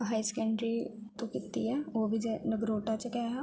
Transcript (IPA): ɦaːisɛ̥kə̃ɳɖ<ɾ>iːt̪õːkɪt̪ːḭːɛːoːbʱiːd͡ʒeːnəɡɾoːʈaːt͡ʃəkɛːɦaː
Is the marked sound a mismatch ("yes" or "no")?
no